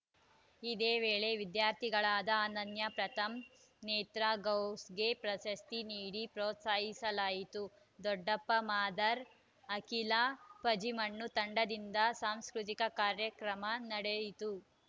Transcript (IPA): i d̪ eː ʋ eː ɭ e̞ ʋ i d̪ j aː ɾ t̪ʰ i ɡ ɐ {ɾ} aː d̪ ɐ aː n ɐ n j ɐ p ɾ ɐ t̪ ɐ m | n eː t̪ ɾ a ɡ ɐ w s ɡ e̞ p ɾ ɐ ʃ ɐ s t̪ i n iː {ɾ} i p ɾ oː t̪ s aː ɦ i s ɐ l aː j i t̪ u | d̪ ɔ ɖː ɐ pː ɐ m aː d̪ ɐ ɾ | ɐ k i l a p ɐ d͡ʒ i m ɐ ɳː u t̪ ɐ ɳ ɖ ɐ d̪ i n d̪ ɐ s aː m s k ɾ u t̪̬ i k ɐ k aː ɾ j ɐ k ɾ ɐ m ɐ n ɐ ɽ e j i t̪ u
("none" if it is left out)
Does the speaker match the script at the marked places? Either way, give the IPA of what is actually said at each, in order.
ɭ, ɽ

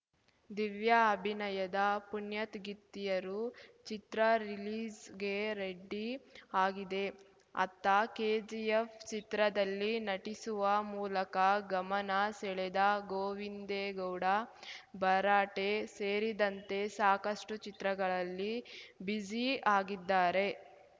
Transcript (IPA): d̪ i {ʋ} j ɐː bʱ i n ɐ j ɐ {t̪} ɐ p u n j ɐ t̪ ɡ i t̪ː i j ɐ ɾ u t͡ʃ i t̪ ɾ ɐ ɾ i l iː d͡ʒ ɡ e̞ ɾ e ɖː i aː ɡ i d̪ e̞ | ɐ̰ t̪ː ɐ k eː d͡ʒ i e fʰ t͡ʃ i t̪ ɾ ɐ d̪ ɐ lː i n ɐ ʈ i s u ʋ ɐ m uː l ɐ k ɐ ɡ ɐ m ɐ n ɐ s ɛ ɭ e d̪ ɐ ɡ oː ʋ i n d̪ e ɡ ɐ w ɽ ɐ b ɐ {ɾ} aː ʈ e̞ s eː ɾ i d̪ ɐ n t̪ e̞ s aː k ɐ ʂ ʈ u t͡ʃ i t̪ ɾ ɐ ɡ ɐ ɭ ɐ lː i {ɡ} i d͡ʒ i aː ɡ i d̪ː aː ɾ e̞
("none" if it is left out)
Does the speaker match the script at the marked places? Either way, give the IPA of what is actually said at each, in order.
ʋ, d̪, ɾ, b

